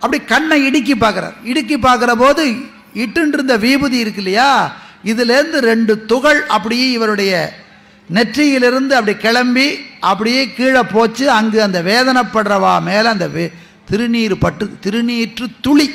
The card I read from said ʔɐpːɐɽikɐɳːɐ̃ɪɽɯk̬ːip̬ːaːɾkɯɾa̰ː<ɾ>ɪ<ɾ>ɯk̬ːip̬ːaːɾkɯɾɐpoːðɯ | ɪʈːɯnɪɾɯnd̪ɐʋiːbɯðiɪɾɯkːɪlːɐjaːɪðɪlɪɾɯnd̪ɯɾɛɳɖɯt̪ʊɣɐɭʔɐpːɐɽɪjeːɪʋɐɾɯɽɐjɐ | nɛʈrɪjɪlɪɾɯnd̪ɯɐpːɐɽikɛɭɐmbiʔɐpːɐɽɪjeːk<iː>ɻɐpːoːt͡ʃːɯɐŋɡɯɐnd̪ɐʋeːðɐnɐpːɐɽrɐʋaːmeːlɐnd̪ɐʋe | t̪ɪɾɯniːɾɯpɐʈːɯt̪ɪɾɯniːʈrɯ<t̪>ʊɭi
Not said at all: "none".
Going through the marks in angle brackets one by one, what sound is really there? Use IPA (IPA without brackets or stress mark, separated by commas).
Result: ɾ, ɽ, iː, t̪